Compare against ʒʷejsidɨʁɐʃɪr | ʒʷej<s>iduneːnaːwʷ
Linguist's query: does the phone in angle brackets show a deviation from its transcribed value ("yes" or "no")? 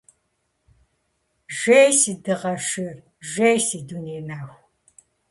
no